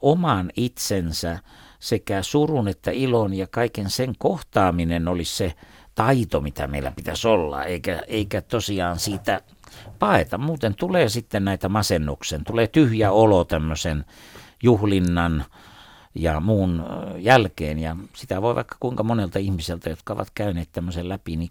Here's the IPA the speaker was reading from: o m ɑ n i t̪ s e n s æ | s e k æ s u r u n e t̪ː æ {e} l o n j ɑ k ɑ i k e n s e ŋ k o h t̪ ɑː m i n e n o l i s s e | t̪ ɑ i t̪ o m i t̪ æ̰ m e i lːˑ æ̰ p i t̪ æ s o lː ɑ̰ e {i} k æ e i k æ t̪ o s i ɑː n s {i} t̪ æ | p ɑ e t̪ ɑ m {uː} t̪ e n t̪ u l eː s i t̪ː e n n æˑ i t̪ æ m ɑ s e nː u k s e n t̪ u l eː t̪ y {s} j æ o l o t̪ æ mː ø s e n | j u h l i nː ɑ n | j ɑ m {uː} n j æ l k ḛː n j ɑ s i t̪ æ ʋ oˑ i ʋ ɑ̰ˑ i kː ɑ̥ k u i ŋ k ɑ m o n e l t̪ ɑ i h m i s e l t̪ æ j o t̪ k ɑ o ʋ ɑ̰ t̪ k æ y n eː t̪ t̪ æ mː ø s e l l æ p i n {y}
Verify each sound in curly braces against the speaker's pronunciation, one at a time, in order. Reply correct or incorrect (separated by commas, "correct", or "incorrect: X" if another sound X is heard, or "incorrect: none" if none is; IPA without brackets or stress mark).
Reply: incorrect: i, correct, incorrect: iː, correct, incorrect: h, correct, incorrect: i